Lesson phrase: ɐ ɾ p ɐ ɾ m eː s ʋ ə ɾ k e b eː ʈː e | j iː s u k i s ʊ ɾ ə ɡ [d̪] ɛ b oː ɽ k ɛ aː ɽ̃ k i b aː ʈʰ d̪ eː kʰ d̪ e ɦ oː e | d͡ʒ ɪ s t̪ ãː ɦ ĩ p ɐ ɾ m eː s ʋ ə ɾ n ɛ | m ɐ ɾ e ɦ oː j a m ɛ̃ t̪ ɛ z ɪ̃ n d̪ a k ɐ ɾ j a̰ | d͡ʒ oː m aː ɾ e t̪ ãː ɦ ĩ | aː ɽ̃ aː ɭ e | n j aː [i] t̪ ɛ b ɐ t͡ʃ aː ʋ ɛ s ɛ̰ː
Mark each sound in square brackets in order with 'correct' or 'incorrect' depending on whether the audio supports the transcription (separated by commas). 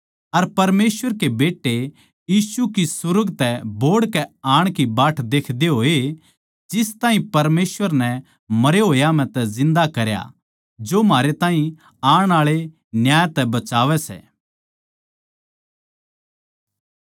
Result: incorrect, incorrect